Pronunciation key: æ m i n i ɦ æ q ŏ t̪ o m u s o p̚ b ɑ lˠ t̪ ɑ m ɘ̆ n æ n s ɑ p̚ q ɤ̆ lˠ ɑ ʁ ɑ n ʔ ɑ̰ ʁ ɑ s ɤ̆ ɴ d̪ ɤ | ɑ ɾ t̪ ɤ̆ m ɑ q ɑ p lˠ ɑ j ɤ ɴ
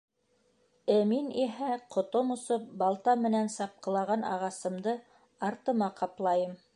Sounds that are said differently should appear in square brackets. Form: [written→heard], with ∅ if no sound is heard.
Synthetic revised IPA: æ m i n i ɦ æ q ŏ t̪ o m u s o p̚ b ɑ lˠ t̪ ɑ m ɘ̆ n æ n s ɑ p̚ q ɤ̆ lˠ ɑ ʁ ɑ n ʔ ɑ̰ ʁ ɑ s ɤ̆ [ɴ→m] d̪ ɤ | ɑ ɾ t̪ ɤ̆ m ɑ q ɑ p lˠ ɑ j ɤ [ɴ→m]